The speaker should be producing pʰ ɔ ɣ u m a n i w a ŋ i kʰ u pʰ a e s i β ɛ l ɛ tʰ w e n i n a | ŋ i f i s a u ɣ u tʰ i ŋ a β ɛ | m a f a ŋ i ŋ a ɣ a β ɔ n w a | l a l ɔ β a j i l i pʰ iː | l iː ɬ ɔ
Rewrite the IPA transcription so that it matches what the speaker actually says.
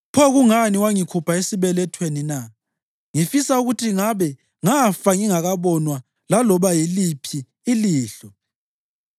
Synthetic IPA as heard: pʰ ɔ ɣ u ŋ a n i w a ŋ i kʰ u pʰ a e s i β ɛ l ɛ tʰ w e n i n a | ŋ i f i s a u ɣ u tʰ i ŋ a β ɛ | ŋ a f a ŋ i ŋ a ɣ a β ɔ n w a | l a l ɔ β a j i l i pʰ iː | l iː ɬ ɔ